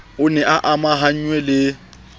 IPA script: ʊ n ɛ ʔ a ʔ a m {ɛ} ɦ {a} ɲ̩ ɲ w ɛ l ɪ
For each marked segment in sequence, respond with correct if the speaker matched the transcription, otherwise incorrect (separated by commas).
incorrect, correct